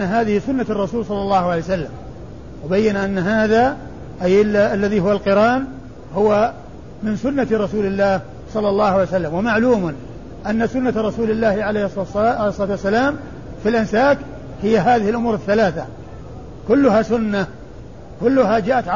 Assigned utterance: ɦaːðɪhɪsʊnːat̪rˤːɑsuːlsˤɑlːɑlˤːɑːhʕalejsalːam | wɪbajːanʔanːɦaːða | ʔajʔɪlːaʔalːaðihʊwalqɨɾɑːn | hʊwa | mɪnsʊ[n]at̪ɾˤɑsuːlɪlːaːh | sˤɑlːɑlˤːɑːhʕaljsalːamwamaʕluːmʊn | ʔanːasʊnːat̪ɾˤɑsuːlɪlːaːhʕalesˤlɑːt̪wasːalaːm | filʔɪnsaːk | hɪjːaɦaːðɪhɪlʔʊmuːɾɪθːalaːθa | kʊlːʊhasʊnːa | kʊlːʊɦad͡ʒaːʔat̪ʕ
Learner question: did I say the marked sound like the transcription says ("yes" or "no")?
no